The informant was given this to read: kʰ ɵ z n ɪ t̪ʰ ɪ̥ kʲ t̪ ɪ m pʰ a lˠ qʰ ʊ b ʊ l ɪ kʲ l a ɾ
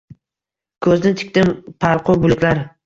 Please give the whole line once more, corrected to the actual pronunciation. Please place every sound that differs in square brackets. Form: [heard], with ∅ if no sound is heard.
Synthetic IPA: kʰ ɵ z n ɪ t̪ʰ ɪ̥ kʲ t̪ ɪ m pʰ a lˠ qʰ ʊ b ʊ l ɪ kʲ l a ɾ